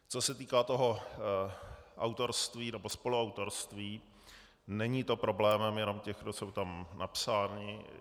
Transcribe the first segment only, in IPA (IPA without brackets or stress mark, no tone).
t͡s